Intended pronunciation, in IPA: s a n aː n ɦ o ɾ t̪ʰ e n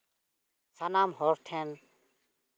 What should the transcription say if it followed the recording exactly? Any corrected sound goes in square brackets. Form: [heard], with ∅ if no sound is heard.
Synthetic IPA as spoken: s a n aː [m] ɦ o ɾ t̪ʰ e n

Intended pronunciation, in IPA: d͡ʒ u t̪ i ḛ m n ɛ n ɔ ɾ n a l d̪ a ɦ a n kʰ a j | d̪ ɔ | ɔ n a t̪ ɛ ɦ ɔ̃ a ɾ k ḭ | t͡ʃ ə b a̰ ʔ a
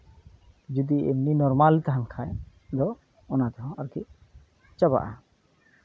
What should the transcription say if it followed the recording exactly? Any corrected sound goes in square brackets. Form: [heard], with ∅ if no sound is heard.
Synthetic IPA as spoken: d͡ʒ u [d̪] i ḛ m n [i] n ɔ ɾ [m] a l [t̪] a ɦ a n kʰ a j | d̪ ɔ | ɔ n a t̪ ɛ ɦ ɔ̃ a ɾ k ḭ | t͡ʃ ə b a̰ ʔ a

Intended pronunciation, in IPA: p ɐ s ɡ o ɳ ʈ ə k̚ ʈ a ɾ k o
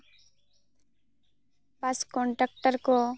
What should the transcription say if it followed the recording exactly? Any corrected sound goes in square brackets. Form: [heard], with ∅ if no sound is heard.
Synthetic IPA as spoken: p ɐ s [k] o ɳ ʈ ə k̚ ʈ [ə] ɾ k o

